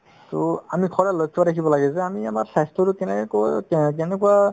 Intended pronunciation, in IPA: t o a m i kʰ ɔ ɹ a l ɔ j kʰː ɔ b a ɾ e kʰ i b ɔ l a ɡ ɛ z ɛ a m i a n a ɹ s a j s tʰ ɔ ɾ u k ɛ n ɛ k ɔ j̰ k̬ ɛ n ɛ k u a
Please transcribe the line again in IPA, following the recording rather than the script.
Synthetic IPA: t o a m i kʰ ɔ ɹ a l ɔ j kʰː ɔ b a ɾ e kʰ i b ɔ l a ɡ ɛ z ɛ a m i a m a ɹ s a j s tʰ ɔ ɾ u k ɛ n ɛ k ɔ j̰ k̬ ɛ n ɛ k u a